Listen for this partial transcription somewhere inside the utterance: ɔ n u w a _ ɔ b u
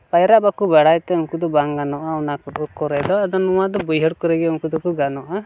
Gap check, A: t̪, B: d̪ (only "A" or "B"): B